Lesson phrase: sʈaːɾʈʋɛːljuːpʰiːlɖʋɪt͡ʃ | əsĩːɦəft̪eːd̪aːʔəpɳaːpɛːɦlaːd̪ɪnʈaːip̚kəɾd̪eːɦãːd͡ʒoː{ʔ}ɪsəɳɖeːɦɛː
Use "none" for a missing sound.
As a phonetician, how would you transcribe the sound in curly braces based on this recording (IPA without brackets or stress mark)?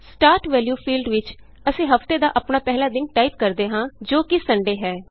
k